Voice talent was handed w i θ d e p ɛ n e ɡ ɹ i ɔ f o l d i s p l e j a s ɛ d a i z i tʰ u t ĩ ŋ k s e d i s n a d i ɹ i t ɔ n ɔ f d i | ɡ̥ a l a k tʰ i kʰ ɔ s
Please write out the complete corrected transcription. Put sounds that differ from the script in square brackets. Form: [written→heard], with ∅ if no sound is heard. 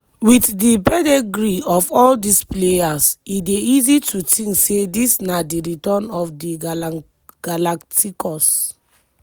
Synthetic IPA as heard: w i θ d [e→i] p ɛ [n→d] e ɡ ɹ i ɔ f [o→ɔ] l d i s p l e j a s [ɛ→i] d [a→e] i z i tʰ u t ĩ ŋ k s e d i s n a d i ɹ i t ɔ n ɔ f d i | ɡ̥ a l a k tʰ i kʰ ɔ s